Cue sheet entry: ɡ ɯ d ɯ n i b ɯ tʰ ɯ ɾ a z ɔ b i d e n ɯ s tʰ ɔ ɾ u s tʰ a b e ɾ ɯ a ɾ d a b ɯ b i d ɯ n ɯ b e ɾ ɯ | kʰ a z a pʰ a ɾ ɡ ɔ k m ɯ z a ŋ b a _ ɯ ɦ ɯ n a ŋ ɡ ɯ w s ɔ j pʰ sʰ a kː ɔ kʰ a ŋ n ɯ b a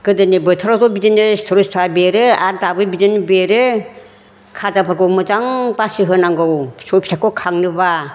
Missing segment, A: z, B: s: B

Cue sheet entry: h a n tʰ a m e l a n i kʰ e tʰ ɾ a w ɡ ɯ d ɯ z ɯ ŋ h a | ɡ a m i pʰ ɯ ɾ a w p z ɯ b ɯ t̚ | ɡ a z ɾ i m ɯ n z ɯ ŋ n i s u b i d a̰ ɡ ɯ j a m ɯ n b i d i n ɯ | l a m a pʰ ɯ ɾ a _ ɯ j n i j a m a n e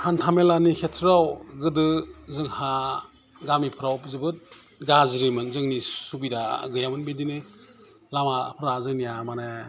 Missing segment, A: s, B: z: B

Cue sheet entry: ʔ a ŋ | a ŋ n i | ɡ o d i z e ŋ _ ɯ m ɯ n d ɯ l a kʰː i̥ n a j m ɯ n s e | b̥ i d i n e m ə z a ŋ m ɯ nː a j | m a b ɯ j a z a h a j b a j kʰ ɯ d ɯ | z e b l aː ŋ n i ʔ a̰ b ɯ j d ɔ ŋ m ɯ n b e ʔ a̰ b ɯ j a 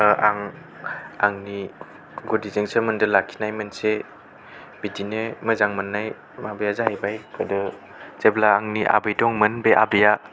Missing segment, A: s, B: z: A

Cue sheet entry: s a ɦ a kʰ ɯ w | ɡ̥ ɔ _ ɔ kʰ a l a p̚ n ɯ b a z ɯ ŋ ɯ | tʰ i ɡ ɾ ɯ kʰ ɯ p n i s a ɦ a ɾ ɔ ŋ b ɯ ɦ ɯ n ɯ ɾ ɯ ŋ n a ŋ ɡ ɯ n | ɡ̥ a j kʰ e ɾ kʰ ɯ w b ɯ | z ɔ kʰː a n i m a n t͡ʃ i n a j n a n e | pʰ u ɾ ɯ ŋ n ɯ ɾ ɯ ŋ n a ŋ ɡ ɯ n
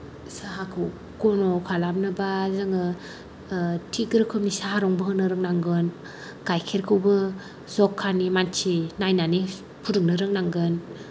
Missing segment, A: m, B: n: B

